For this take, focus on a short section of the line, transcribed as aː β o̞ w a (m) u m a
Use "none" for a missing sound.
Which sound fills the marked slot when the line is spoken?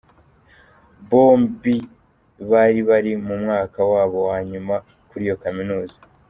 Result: ɲ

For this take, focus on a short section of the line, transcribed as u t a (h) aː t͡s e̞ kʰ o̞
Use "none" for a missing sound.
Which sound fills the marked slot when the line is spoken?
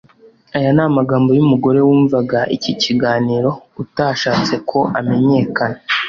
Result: ʃ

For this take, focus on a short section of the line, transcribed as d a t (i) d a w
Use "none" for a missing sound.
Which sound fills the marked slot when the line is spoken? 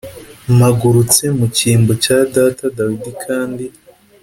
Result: a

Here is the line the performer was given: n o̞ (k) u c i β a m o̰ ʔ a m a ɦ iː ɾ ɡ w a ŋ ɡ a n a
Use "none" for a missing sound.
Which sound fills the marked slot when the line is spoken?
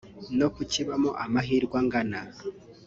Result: k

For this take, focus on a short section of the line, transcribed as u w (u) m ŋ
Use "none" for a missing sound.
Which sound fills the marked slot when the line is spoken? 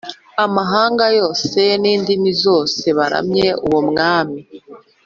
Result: o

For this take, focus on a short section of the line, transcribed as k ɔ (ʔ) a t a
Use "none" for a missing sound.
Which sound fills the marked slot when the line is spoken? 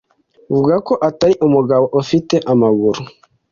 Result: ʔ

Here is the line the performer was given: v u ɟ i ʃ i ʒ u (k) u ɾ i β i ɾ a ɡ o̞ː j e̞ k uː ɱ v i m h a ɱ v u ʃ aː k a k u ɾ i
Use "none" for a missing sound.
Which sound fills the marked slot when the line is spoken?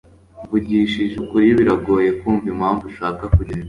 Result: k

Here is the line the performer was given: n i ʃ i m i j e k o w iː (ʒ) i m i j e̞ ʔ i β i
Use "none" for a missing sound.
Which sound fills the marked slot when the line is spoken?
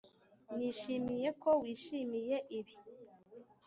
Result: ʃ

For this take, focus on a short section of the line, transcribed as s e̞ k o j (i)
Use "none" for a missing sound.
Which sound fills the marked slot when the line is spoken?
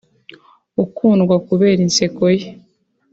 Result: e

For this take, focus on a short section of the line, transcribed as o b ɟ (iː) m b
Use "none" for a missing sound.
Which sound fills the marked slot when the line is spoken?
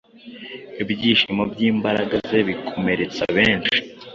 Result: iː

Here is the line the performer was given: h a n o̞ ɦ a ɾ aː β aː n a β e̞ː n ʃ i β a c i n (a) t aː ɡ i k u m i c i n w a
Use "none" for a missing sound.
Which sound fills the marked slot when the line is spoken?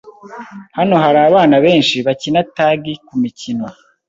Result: a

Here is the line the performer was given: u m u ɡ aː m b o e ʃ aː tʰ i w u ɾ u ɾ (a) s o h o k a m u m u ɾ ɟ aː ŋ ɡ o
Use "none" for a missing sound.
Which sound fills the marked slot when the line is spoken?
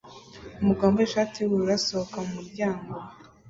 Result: a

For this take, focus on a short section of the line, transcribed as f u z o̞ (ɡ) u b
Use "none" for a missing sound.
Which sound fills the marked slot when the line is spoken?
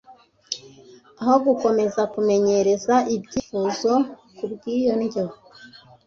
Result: k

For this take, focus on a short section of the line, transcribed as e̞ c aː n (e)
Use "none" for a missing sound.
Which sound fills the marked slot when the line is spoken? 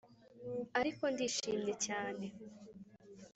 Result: e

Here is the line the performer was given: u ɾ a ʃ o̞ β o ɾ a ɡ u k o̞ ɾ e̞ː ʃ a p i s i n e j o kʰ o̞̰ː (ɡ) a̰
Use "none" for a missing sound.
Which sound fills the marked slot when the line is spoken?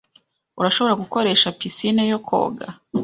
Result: ɡ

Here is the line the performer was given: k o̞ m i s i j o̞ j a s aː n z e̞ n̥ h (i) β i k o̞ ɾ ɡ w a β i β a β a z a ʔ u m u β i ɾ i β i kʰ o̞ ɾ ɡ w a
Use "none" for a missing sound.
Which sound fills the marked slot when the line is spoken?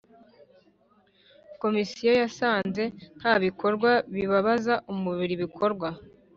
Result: a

